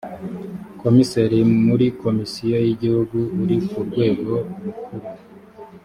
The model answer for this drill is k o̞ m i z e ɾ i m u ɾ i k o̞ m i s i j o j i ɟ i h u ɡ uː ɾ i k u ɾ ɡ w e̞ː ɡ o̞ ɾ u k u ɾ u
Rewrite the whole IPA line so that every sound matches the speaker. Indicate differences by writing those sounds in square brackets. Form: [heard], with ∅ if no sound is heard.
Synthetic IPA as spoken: k o̞ m i [s] e ɾ i m u ɾ i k o̞ m i s i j o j i ɟ i h u ɡ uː ɾ i k u ɾ ɡ w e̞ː ɡ o̞ ɾ u k u ɾ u